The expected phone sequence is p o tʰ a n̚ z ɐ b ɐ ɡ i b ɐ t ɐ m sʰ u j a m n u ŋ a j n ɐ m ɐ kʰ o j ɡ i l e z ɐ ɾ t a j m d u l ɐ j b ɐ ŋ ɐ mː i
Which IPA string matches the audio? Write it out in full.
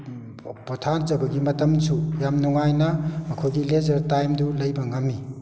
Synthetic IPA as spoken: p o tʰ a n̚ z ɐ b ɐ ɡ i m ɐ t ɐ m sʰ u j a m n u ŋ a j n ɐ m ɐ kʰ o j ɡ i l e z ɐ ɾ t a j m d u l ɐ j b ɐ ŋ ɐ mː i